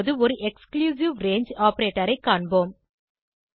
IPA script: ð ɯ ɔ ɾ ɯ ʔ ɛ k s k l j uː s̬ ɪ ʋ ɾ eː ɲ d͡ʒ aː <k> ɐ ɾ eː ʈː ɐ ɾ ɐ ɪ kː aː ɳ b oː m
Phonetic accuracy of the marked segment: incorrect: p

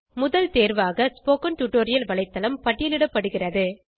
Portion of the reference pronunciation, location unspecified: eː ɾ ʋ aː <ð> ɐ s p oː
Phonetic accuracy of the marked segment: incorrect: ɣ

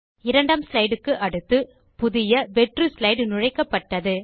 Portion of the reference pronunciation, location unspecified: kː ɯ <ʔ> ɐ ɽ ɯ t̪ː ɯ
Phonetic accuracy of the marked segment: correct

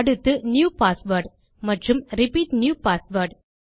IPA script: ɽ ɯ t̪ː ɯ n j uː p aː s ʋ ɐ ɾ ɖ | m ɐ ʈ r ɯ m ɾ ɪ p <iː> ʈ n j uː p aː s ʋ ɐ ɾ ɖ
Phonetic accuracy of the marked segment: correct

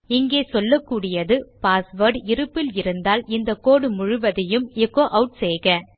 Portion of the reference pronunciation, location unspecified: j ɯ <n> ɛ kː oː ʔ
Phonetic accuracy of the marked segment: incorrect: m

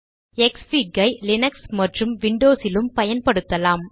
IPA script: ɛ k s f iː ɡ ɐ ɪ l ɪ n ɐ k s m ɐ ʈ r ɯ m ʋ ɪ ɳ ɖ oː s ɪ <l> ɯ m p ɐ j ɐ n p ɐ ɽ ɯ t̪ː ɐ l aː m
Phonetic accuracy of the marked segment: correct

